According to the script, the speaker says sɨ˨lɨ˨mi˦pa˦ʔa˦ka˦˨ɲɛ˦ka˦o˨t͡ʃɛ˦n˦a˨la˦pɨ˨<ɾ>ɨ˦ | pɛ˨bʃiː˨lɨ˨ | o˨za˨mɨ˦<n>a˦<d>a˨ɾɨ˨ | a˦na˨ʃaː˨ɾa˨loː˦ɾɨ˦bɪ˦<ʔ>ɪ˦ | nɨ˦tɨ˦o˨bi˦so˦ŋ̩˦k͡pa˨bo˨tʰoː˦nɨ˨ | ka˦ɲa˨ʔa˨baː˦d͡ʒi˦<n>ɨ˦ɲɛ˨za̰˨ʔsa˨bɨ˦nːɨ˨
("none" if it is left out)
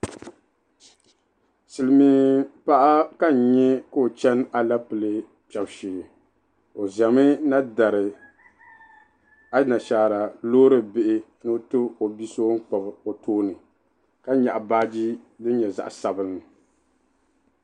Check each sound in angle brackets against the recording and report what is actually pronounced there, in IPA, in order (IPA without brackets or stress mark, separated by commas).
l, n, d, ʔ, d